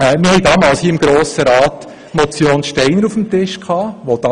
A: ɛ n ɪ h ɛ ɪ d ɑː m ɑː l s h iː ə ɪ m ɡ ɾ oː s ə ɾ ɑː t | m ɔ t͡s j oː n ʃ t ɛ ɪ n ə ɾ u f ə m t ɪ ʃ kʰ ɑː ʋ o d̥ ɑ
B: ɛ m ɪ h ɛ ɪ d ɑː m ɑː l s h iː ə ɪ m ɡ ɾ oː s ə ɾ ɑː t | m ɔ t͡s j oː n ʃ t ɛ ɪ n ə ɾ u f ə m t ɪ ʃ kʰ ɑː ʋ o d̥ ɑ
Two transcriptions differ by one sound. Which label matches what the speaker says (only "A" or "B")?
B